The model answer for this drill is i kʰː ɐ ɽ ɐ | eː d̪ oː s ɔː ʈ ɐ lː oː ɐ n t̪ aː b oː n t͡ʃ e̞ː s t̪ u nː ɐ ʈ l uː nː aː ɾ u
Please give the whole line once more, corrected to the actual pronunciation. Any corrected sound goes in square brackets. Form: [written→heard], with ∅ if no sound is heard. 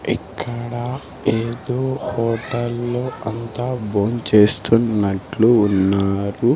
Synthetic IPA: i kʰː ɐ ɽ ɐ | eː d̪ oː [s→h] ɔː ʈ ɐ lː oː ɐ n t̪ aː b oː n t͡ʃ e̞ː s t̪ u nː ɐ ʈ l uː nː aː ɾ u

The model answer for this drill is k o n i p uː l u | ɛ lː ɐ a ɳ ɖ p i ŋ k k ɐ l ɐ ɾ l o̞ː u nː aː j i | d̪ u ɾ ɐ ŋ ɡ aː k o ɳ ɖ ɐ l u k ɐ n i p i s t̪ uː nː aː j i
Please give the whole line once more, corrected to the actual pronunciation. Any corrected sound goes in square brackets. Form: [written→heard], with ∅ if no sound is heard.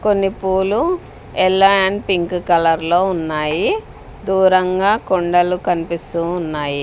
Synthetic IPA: k o [n→nː] i p uː l u | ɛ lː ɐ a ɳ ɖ p i ŋ k k ɐ l ɐ ɾ l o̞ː u nː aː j i | d̪ [u→uː] ɾ ɐ ŋ ɡ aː k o ɳ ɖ ɐ l u k ɐ n i p i s t̪ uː nː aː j i

